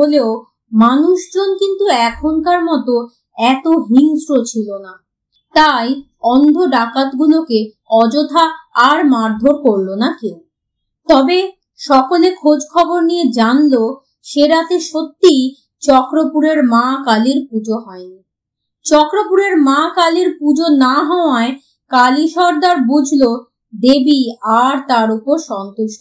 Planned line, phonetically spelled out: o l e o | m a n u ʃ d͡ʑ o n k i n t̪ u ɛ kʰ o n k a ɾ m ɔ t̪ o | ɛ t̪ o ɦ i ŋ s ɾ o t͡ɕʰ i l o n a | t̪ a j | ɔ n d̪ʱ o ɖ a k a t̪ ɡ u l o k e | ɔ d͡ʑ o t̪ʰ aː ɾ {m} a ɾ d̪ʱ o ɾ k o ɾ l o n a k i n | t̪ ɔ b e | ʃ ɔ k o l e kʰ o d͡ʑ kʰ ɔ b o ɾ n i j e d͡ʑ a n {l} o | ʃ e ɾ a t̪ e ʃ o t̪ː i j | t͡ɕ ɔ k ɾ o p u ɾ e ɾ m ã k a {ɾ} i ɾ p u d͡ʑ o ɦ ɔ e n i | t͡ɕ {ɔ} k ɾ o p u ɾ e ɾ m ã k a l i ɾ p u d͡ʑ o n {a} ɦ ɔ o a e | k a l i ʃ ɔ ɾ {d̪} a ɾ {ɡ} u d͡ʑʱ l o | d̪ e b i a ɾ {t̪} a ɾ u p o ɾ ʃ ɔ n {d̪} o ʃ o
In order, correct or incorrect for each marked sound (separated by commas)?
correct, correct, incorrect, correct, correct, correct, incorrect, correct, incorrect